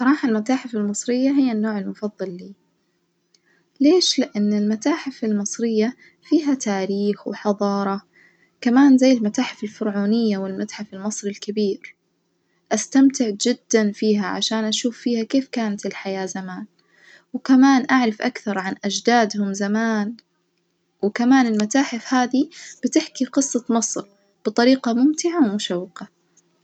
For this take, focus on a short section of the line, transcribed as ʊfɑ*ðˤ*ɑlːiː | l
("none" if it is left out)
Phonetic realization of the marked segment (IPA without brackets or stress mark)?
ðˤː